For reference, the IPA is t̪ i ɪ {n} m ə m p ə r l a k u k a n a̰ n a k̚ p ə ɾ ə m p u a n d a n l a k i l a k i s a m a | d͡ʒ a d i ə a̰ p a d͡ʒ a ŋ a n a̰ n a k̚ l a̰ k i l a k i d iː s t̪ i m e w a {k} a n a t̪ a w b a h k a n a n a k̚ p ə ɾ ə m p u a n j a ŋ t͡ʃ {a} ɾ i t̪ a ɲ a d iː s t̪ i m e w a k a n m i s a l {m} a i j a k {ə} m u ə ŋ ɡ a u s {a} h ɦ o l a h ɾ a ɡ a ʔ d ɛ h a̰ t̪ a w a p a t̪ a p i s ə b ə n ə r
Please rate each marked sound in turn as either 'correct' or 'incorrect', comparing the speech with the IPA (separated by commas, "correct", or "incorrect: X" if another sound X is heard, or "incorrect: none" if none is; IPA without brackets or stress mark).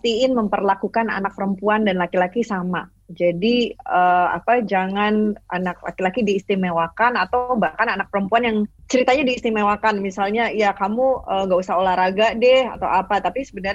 correct, correct, incorrect: ə, incorrect: ɲ, incorrect: a, correct